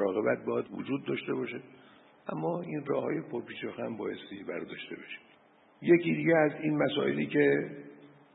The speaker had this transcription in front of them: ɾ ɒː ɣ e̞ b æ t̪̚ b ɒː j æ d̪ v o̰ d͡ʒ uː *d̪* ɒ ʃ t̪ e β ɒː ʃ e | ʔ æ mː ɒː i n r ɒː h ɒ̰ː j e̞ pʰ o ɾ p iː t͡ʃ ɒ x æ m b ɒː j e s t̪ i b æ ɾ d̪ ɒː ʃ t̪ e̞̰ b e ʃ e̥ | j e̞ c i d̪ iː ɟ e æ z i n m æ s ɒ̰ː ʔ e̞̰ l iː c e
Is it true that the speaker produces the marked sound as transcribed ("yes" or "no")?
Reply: no